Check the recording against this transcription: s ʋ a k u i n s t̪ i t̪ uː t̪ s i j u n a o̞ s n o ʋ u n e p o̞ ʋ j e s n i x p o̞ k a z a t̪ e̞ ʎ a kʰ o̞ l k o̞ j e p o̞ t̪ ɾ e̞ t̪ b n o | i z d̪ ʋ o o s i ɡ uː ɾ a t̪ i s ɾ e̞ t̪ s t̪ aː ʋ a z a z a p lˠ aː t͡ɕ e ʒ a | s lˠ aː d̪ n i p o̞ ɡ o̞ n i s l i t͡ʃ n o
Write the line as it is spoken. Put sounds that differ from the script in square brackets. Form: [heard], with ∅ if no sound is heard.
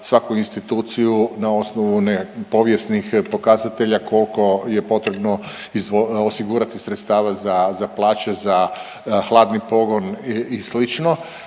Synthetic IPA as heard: s ʋ a k u i n s t̪ i t̪ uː t̪ s i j u n a o̞ s n o ʋ u n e p o̞ ʋ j e s n i x p o̞ k a z a t̪ e̞ ʎ a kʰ o̞ l k o̞ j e p o̞ t̪ ɾ e̞ [∅] b n o | i z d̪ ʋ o o s i ɡ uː ɾ a t̪ i s ɾ e̞ t̪ s t̪ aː ʋ a z a z a p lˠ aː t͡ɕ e [z] a | [x] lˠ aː d̪ n i p o̞ ɡ o̞ n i s l i t͡ʃ n o